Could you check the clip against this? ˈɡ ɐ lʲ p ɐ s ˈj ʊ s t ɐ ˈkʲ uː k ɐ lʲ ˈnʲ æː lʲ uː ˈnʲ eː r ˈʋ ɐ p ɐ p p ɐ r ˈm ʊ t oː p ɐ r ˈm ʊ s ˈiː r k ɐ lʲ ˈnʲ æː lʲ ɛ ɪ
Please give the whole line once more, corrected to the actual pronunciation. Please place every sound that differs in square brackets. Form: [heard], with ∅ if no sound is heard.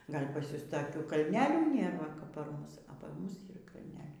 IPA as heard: ˈɡ ɐ lʲ p ɐ s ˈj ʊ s t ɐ ˈkʲ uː k ɐ lʲ ˈnʲ æː lʲ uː ˈnʲ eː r ˈʋ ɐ [k] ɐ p p ɐ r ˈm ʊ [s] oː p ɐ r ˈm ʊ s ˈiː r k ɐ lʲ ˈnʲ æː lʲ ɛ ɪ